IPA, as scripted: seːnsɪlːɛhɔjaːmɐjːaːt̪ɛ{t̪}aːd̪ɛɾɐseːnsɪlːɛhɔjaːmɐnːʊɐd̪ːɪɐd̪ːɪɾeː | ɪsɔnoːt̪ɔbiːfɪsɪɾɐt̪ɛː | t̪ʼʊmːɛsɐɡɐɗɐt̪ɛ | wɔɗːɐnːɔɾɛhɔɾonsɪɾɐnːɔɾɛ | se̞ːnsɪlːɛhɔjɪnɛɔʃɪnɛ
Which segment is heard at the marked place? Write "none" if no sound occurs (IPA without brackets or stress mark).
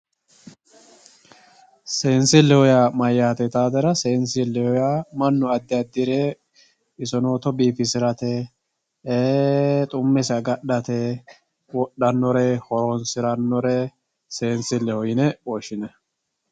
t̪